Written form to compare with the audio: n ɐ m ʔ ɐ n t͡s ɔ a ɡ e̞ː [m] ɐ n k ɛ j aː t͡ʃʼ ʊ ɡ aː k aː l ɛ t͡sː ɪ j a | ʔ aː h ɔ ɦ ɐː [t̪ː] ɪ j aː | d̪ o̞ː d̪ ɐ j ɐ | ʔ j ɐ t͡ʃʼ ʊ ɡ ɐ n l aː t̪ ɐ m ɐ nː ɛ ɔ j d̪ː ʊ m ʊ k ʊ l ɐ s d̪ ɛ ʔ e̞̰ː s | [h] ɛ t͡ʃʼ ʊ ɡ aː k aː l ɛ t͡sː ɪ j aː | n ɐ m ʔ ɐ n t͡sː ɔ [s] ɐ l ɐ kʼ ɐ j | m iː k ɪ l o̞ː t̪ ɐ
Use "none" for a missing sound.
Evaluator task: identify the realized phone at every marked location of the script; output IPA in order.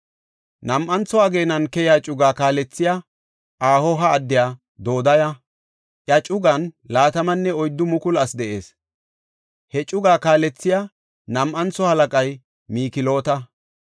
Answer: n, d̪ː, h, h

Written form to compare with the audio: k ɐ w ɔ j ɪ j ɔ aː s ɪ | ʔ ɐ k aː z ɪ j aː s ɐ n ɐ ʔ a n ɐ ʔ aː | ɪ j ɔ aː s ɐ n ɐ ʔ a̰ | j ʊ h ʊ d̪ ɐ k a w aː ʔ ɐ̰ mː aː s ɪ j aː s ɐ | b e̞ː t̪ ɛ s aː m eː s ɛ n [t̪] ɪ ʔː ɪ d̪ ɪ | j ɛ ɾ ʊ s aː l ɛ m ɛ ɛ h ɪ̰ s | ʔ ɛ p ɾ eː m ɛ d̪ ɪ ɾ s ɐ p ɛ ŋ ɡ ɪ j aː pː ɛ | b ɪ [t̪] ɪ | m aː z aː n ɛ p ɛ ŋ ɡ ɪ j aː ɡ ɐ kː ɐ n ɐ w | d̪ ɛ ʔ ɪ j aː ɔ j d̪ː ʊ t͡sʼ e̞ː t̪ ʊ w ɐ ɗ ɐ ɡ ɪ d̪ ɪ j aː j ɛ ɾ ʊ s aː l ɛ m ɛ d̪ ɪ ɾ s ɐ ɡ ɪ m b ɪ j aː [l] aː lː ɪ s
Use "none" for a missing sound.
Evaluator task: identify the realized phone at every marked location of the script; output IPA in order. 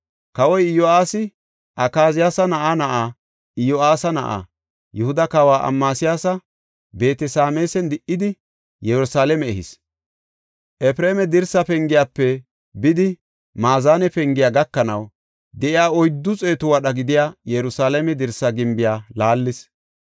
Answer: d̪, d̪, l

